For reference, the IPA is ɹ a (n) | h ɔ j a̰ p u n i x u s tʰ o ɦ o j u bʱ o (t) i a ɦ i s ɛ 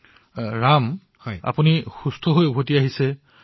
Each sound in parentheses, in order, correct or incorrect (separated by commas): incorrect, correct